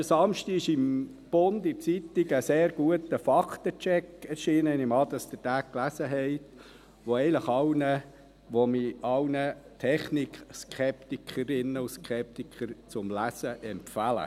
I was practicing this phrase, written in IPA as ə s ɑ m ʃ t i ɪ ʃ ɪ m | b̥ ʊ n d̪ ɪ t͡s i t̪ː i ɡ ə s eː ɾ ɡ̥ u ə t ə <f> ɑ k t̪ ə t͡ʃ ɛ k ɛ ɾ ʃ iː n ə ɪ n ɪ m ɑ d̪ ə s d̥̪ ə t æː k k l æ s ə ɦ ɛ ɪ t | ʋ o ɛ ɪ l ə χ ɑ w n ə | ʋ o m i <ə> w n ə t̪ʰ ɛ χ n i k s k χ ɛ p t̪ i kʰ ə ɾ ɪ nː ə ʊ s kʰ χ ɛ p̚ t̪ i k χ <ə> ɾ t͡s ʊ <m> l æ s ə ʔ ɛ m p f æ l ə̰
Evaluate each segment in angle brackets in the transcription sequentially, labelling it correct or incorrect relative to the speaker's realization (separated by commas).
correct, incorrect, correct, correct